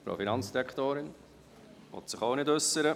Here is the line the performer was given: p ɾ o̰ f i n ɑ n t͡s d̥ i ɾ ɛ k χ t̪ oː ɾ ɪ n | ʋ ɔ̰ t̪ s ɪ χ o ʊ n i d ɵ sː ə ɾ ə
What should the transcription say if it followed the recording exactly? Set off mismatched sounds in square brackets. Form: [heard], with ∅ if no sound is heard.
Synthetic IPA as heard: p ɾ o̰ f i n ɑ n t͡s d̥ i ɾ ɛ k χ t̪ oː ɾ ɪ n | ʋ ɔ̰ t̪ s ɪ χ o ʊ n [ɪ] d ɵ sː ə ɾ ə